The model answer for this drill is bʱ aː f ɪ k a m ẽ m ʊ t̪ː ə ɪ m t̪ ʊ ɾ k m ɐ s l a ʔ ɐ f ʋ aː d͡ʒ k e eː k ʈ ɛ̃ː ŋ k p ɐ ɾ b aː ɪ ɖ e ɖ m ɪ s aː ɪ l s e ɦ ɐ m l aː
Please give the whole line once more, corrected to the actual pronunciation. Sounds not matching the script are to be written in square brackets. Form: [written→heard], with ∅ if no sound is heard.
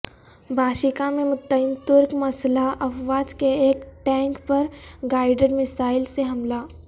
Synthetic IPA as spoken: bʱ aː [f→ʃ] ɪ k a m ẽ m ʊ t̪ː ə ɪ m t̪ ʊ ɾ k m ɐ s l a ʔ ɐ f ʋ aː d͡ʒ k e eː k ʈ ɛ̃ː ŋ k p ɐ ɾ [b→ɡ] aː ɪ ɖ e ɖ m ɪ s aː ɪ l s e ɦ ɐ m l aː